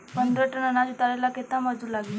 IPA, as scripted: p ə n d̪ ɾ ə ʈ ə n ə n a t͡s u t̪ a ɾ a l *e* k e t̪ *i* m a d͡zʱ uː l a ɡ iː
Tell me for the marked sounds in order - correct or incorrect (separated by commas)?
incorrect, incorrect